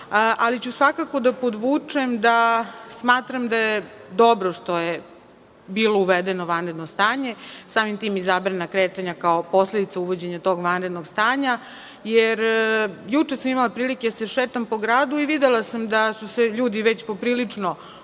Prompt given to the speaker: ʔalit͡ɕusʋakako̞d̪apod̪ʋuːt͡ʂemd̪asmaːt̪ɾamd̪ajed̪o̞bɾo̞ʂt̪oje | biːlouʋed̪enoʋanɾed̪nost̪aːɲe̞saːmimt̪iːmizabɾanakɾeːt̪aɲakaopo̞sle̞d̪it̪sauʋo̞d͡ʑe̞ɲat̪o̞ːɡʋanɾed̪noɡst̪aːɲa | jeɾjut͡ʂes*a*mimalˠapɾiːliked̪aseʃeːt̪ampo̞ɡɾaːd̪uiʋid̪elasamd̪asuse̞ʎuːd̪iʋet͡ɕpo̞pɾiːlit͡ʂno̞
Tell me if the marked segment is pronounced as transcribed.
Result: yes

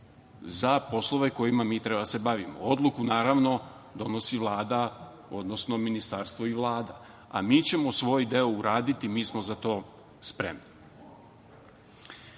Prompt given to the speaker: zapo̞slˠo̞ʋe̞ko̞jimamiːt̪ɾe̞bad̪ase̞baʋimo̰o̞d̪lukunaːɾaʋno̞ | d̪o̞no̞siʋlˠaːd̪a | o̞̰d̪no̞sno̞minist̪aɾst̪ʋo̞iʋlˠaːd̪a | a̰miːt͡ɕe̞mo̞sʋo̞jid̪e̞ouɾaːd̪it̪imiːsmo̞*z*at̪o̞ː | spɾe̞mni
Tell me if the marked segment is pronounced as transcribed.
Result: yes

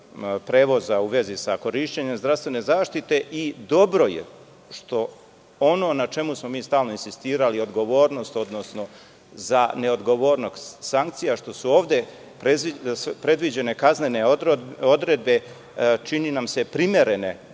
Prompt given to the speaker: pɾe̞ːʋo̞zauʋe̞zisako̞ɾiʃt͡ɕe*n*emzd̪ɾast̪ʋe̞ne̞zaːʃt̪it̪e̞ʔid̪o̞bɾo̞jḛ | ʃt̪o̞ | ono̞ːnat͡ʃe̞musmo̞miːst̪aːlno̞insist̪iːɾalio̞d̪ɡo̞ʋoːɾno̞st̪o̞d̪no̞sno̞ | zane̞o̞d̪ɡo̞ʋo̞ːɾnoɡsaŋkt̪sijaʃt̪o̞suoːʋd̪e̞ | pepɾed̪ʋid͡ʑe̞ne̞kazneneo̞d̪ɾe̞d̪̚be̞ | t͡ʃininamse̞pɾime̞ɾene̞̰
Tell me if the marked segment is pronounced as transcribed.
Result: no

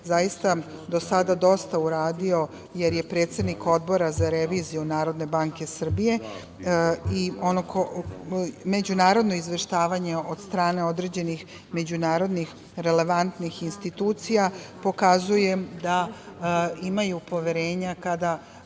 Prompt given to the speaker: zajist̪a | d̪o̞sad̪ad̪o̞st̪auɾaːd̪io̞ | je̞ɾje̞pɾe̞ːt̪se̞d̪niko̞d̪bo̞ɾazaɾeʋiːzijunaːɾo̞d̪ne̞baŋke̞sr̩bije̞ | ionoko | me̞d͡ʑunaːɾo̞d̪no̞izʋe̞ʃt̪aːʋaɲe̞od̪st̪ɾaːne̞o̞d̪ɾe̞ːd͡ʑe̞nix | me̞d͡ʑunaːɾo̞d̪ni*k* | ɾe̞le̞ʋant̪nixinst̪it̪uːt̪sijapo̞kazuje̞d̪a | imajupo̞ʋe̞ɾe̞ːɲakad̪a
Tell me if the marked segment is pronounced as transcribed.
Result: no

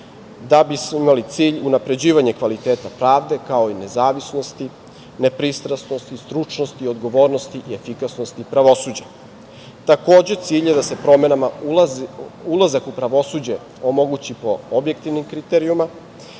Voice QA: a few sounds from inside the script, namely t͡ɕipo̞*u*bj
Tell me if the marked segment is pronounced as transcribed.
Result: no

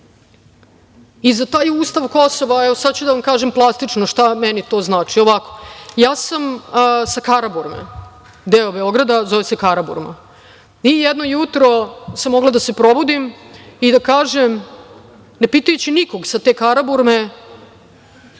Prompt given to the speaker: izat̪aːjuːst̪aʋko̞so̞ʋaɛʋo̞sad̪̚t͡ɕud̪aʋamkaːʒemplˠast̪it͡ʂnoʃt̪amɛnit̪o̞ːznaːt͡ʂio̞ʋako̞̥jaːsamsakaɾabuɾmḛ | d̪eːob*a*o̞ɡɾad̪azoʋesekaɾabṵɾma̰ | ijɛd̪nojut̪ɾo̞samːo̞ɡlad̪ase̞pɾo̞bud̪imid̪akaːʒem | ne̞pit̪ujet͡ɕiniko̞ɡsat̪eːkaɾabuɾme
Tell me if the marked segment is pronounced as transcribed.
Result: no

